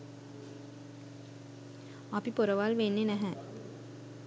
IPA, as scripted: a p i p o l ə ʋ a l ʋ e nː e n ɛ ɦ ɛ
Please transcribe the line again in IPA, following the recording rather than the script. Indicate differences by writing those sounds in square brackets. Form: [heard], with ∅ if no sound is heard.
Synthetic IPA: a p i p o [ɾ] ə ʋ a l ʋ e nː e n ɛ ɦ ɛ